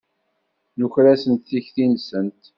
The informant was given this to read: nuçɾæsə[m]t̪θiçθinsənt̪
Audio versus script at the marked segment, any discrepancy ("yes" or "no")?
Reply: yes